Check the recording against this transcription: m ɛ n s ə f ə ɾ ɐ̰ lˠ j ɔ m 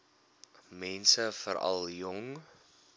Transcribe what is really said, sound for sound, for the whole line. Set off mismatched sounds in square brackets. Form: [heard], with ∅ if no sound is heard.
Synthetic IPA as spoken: m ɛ n s ə f ə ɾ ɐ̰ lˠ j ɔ [ŋ]